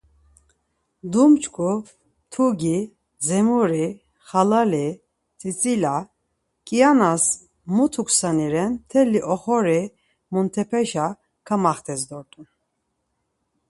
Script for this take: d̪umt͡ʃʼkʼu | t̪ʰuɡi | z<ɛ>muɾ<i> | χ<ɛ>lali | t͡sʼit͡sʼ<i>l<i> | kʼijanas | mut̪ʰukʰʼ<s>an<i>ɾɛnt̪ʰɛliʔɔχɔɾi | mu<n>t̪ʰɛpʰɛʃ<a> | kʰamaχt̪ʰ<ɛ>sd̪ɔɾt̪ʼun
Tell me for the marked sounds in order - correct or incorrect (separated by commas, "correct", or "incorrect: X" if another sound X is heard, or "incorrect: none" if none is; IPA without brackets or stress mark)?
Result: correct, correct, incorrect: a, correct, incorrect: a, correct, correct, correct, correct, correct